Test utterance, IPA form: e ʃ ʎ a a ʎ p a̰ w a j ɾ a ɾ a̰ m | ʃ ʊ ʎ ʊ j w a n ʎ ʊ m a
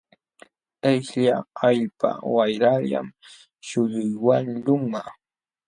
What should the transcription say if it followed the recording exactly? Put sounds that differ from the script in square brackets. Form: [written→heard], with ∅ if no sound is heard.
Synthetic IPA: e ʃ ʎ a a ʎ p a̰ w a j ɾ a [ɾ→ʎ] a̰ m | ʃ ʊ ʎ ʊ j w a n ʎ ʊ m a